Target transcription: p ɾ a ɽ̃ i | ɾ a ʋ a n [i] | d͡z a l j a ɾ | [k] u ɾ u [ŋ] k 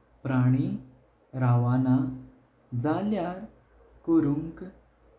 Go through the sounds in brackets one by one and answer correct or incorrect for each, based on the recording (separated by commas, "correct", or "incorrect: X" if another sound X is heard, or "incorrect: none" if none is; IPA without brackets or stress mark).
incorrect: a, correct, correct